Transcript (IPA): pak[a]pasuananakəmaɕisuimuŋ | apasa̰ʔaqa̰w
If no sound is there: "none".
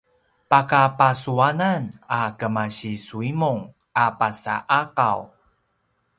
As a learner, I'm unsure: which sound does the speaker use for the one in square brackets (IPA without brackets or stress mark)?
a